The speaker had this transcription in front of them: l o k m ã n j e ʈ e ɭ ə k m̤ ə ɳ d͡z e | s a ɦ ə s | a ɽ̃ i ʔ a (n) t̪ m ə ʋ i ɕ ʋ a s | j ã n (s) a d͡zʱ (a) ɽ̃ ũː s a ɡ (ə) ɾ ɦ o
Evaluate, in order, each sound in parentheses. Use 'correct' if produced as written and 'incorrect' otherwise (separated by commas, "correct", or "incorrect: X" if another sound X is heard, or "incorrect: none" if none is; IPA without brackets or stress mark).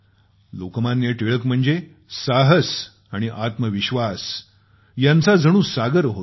incorrect: none, incorrect: t͡s, incorrect: ə, correct